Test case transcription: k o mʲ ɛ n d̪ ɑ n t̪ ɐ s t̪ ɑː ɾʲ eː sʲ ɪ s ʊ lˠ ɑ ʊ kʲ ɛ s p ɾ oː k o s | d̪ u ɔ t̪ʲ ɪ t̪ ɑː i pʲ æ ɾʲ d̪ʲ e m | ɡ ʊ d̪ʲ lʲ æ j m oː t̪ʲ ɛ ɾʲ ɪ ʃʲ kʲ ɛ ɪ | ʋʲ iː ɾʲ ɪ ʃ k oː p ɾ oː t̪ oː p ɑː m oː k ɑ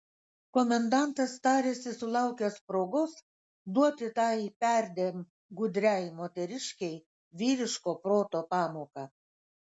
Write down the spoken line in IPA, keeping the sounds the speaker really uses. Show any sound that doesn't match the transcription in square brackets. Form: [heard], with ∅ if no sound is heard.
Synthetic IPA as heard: k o mʲ ɛ n d̪ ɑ n t̪ ɐ s t̪ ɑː ɾʲ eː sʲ ɪ s ʊ lˠ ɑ ʊ kʲ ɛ s p ɾ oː [ɡ] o s | d̪ u ɔ t̪ʲ ɪ t̪ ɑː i pʲ æ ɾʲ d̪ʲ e m | ɡ ʊ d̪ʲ [ɾʲ] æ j m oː t̪ʲ ɛ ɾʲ ɪ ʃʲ kʲ ɛ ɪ | ʋʲ iː ɾʲ ɪ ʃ k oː p ɾ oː t̪ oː p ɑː m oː k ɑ